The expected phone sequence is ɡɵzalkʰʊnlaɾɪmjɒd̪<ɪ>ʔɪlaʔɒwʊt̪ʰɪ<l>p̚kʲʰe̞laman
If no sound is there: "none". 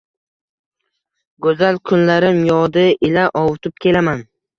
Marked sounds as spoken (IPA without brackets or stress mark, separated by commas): ɪ, none